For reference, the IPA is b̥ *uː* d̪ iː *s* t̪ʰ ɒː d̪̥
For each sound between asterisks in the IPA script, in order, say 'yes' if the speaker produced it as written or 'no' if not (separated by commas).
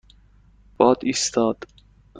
no, yes